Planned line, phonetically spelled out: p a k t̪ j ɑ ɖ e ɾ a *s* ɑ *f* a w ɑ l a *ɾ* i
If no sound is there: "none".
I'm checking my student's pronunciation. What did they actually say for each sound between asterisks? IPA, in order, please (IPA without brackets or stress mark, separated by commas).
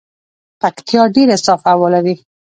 s, f, ɾ